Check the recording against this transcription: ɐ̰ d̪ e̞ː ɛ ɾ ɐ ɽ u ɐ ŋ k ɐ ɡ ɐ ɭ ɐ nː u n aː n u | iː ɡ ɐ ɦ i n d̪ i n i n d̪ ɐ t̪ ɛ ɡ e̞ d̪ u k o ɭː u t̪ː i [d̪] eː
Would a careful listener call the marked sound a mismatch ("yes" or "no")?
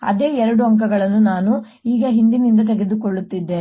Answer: yes